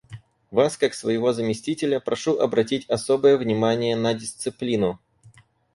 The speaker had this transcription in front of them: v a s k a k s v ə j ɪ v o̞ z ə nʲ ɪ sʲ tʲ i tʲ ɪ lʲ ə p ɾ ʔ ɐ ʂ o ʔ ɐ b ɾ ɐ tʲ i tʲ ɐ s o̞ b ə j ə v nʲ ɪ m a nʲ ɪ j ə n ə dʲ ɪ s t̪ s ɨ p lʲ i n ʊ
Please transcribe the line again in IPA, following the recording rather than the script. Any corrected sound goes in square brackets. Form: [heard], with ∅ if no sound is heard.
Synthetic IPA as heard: v a s k a k s v ə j ɪ v o̞ z ə [mʲ] ɪ sʲ tʲ i tʲ ɪ lʲ ə p ɾ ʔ ɐ ʂ [u] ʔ ɐ b ɾ ɐ tʲ i tʲ ɐ s o̞ b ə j ə v nʲ ɪ m a nʲ ɪ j ə n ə dʲ ɪ s t̪ s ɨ p lʲ i n ʊ